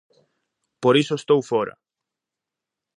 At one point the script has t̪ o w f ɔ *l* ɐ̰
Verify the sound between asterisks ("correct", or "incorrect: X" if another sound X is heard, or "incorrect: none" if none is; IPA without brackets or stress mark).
incorrect: ɾ